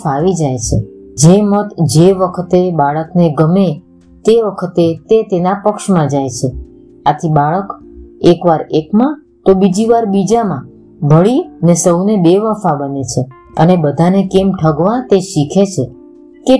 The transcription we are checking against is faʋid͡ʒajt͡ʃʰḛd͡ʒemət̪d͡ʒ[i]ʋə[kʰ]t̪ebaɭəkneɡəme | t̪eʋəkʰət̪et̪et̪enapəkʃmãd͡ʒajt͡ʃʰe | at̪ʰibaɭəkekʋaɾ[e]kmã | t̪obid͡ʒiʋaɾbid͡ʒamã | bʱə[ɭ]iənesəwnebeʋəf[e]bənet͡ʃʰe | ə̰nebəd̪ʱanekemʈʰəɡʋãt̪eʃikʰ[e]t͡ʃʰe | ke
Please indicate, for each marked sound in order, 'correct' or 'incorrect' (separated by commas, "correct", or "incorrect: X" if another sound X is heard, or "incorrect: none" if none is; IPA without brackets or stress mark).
incorrect: e, correct, correct, correct, incorrect: a, correct